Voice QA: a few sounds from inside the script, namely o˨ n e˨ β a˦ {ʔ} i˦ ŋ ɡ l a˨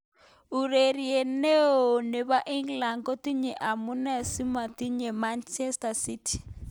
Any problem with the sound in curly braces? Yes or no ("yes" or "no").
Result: no